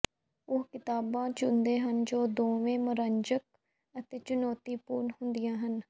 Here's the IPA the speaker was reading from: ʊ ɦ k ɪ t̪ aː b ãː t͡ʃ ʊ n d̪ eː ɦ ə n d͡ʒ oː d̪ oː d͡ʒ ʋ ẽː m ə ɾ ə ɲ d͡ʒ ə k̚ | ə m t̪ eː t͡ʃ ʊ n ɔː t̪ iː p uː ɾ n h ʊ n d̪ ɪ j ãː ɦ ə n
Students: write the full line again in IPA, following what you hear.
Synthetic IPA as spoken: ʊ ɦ k ɪ t̪ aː b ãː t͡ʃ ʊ n d̪ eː ɦ ə n d͡ʒ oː d̪ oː ʋ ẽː m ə ɾ ə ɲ d͡ʒ ə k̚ | ə t̪ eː t͡ʃ ʊ n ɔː t̪ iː p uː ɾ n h ʊ n d̪ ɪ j ãː ɦ ə n